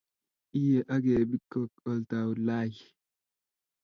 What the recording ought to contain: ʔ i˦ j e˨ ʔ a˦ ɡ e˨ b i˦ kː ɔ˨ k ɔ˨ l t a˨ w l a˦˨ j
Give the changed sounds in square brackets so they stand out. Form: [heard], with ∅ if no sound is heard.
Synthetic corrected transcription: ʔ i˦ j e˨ ʔ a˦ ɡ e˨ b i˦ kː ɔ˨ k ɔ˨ l t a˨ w l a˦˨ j